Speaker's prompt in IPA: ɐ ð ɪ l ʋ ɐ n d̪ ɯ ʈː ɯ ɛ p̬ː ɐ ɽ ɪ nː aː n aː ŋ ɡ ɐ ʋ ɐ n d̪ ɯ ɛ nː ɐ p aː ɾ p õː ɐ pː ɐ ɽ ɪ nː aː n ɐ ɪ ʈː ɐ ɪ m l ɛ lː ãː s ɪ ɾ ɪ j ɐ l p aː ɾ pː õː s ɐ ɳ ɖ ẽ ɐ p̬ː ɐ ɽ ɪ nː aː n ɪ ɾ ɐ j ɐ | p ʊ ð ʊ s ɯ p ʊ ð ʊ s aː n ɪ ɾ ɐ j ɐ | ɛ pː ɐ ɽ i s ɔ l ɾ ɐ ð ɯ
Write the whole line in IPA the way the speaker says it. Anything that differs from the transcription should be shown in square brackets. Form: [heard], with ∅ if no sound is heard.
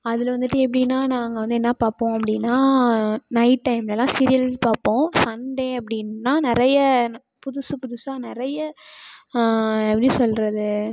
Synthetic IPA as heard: ɐ ð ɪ l ʋ ɐ n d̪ ɯ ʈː ɯ ɛ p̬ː ɐ ɽ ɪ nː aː n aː ŋ ɡ ɐ ʋ ɐ n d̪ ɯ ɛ nː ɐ p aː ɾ p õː ɐ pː ɐ ɽ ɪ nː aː n ɐ ɪ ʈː ɐ ɪ m l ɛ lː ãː s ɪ ɾ ɪ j ɐ l p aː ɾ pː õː s ɐ ɳ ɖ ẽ ɐ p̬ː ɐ ɽ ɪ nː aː n ɪ ɾ ɐ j ɐ | p ʊ ð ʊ s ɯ p ʊ ð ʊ s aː n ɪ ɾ ɐ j ɐ | ɛ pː ɐ ɽ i s ɔ l ɾ ɐ ð ɯ